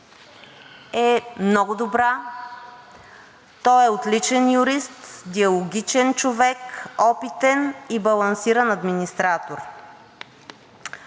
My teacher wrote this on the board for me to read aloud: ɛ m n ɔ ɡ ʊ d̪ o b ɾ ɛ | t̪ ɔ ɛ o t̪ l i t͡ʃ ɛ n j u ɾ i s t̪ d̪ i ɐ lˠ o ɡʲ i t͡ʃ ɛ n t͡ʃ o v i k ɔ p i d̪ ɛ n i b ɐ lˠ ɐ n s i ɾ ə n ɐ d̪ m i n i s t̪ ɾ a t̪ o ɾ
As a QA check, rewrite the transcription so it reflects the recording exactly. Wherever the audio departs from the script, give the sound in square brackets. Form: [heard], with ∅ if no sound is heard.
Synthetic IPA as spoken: ɛ m n ɔ ɡ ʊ d̪ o b ɾ [a] | t̪ ɔ ɛ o t̪ l i t͡ʃ ɛ n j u ɾ i s t̪ d̪ i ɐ lˠ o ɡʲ i t͡ʃ ɛ n t͡ʃ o v [ɛ] k ɔ p i [t̪] ɛ n i b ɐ lˠ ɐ n s i ɾ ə n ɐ d̪ m i n i s t̪ ɾ a t̪ o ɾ